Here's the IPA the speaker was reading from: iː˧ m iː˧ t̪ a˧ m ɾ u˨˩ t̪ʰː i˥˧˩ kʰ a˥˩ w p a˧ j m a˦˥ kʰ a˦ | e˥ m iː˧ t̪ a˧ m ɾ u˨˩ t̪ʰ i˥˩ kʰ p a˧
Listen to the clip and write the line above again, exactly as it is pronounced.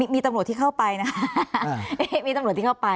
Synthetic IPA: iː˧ m iː˧ t̪ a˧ m ɾ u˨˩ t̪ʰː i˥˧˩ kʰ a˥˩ w p a˧ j n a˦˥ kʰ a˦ | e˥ m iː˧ t̪ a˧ m ɾ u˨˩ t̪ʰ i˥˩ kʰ p a˧